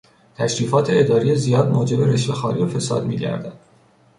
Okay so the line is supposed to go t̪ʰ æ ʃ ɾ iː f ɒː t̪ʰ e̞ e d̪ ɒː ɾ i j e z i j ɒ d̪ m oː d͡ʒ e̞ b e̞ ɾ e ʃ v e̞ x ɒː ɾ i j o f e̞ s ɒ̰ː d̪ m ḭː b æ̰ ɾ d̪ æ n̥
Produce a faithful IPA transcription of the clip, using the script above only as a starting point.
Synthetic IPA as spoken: t̪ʰ æ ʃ ɾ iː f ɒː t̪ʰ e̞ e d̪ ɒː ɾ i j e z i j ɒː d̪ m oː d͡ʒ e̞ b e̞ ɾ e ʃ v e̞ x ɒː ɾ i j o f e̞ s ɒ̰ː d̪ m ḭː ɟ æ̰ ɾ d̪ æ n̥